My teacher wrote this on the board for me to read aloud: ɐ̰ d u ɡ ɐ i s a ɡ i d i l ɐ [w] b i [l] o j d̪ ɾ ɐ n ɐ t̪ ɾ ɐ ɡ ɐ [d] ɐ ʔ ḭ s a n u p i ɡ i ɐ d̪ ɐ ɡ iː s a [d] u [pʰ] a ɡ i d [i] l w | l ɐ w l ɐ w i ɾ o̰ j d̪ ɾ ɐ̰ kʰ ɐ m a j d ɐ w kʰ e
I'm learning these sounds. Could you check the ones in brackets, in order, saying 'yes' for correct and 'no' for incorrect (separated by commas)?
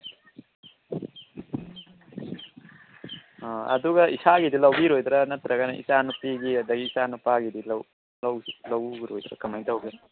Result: yes, no, no, no, no, yes